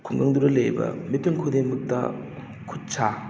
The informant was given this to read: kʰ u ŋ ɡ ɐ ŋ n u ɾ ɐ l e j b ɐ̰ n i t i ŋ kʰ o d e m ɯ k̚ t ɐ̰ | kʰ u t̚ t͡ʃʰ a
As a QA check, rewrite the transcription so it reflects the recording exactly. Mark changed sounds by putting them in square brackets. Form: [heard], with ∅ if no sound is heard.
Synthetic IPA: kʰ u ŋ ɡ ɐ ŋ [d] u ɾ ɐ l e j b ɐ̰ [m] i t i ŋ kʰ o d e m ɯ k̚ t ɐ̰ | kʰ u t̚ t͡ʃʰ a